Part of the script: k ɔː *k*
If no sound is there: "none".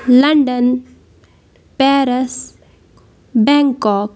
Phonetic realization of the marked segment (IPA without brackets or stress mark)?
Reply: k